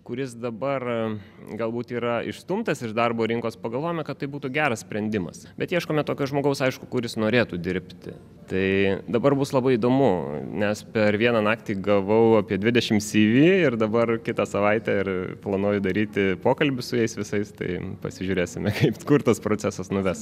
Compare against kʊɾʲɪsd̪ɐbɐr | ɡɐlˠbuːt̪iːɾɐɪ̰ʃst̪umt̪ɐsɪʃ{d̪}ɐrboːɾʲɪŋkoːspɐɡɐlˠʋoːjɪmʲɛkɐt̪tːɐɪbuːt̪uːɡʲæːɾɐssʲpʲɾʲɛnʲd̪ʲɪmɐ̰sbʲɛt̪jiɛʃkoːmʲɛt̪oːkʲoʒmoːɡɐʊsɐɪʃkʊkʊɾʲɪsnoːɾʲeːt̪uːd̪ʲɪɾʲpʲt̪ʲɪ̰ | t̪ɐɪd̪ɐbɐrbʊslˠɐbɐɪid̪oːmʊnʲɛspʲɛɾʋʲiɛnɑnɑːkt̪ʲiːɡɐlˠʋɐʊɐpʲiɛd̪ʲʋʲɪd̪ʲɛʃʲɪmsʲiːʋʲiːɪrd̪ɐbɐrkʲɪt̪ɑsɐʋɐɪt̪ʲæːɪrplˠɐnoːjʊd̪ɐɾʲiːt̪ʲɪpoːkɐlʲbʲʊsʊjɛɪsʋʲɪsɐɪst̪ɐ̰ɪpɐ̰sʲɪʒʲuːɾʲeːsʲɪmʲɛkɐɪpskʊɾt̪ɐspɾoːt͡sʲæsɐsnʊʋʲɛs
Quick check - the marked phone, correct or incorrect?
correct